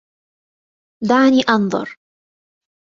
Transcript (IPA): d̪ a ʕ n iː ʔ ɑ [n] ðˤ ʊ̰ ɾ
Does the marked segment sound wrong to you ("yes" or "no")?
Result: no